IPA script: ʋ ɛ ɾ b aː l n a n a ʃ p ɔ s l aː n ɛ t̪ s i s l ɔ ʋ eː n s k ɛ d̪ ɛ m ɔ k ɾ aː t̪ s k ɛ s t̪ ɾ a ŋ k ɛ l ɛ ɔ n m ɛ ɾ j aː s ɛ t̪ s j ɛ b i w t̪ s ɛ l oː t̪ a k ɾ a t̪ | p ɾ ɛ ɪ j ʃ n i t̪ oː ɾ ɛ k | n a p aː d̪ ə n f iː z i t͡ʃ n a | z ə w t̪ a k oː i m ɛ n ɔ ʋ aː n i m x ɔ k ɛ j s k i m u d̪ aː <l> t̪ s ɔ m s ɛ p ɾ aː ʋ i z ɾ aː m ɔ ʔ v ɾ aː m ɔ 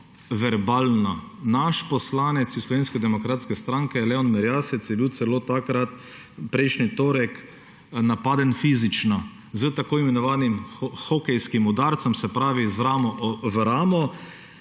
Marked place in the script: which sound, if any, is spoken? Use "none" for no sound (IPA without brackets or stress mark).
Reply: ɾ